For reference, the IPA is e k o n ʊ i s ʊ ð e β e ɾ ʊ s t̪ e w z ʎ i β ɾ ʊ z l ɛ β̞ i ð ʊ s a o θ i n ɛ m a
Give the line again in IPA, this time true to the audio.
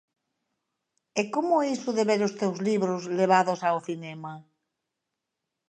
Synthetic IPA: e k o m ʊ i s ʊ ð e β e ɾ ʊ s t̪ e w z l i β ɾ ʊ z l e β̞ a ð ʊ s a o θ i n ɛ m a